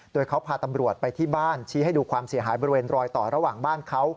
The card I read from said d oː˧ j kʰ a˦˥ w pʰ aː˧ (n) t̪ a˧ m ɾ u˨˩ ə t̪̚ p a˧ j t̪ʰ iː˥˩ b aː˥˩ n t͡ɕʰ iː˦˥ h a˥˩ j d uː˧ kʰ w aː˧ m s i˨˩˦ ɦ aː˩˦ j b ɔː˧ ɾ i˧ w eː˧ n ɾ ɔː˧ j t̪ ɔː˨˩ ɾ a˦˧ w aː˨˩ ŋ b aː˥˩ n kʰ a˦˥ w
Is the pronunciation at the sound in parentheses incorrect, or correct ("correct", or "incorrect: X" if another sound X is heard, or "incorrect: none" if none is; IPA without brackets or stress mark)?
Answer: incorrect: none